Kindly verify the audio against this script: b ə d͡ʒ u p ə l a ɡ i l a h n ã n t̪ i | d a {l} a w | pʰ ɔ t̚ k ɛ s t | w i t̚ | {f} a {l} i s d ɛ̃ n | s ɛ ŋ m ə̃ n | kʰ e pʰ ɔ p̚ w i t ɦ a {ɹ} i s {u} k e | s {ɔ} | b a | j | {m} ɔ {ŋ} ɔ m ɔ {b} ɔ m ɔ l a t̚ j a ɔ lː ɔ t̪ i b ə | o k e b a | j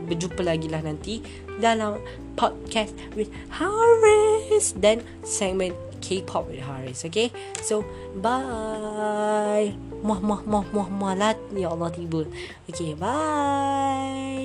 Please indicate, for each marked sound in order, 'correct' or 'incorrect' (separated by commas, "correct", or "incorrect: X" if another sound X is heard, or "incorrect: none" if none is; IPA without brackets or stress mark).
correct, incorrect: h, incorrect: ɹ, correct, incorrect: o, incorrect: o, correct, incorrect: m, incorrect: m